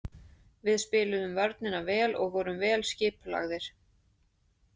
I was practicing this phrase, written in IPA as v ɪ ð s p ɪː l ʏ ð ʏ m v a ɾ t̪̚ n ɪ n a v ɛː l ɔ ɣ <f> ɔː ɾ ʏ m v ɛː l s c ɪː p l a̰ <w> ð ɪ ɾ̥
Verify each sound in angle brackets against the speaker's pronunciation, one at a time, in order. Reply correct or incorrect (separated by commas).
incorrect, incorrect